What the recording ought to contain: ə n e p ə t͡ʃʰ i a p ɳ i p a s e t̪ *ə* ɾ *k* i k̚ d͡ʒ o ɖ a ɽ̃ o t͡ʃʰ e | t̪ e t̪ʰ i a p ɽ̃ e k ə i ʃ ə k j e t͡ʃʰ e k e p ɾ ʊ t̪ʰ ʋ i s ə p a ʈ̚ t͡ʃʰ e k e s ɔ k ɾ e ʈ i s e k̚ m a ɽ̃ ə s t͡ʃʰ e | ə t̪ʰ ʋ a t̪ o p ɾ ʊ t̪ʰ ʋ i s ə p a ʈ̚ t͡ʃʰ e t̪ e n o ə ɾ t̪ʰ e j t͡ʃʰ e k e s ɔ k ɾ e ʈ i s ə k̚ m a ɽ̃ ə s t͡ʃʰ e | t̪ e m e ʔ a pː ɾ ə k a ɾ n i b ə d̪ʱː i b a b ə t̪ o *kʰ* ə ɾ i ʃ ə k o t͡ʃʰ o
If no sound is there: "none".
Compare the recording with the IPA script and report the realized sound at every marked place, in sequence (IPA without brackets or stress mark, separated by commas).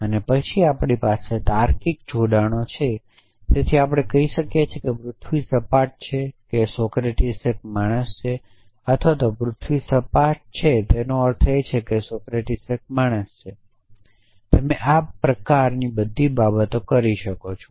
a, k, k